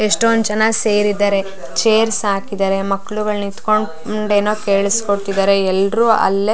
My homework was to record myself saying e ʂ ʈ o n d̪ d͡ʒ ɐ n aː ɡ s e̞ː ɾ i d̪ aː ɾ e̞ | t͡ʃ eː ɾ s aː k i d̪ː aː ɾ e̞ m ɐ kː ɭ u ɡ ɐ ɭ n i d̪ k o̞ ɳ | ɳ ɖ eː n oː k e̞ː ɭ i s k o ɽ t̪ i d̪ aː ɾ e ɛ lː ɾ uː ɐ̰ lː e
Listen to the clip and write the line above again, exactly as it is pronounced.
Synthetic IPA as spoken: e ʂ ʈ o n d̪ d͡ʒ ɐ n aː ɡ s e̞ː ɾ i d̪ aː ɾ e̞ | t͡ʃ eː ɾ s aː k i d̪ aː ɾ e̞ m ɐ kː ɭ u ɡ ɐ ɭ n i t̪ k o̞ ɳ | ɳ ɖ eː n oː k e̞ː ɭ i s k o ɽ t̪ i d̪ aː ɾ e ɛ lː ɾ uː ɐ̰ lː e